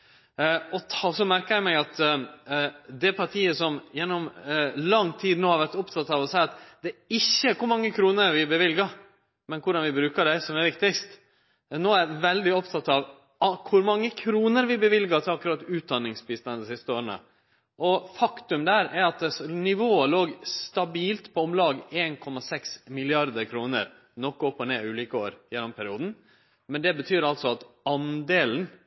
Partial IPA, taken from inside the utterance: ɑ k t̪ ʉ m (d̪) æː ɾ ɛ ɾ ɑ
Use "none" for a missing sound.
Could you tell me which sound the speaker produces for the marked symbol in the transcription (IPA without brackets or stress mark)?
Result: d̪